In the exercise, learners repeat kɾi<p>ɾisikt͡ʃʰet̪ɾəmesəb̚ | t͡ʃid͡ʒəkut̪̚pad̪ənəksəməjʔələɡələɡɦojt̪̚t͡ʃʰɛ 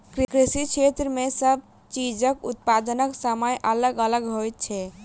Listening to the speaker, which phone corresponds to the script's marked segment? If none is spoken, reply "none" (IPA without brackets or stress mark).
k